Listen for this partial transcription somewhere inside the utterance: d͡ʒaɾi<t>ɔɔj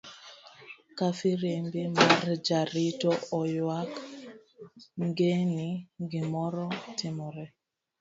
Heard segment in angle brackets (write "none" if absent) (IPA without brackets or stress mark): t